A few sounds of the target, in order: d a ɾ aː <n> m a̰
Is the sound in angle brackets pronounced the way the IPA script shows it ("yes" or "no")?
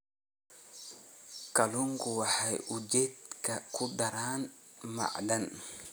yes